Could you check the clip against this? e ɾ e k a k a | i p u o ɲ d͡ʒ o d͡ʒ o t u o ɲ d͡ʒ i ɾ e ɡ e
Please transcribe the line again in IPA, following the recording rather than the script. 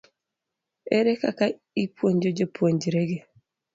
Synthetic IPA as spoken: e ɾ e k a k a | i p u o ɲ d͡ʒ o d͡ʒ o p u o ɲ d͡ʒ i ɾ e ɡ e